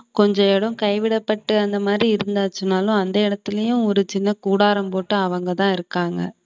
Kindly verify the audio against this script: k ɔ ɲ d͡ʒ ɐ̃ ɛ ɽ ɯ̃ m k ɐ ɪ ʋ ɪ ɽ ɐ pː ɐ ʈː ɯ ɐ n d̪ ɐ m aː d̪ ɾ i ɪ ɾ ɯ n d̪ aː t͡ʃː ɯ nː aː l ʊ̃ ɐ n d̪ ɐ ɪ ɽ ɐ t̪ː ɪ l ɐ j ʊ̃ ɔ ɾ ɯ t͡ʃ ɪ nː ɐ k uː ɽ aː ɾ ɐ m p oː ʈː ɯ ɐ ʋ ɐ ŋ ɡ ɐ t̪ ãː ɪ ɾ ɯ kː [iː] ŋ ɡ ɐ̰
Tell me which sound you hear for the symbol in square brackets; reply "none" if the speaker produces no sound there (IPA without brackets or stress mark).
aː